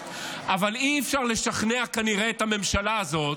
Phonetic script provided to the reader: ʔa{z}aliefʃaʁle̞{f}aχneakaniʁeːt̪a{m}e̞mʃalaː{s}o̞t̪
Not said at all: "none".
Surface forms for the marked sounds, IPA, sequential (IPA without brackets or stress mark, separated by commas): v, ʃ, m, z